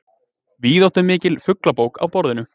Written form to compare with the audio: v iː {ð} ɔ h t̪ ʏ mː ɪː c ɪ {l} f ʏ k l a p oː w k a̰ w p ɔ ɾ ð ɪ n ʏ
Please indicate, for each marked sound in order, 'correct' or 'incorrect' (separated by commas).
correct, correct